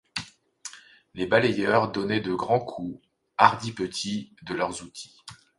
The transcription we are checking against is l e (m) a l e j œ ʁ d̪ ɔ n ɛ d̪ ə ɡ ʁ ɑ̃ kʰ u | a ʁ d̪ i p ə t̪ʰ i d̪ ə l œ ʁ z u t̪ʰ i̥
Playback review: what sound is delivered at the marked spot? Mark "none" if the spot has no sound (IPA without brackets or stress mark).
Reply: b